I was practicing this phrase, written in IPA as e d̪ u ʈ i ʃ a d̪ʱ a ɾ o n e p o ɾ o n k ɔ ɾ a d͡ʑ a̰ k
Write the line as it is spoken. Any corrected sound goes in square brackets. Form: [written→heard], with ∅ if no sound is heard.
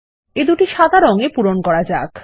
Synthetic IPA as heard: e d̪ u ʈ i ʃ a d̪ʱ a ɾ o [n→ŋ] e p [o→u] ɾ o n k ɔ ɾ a d͡ʑ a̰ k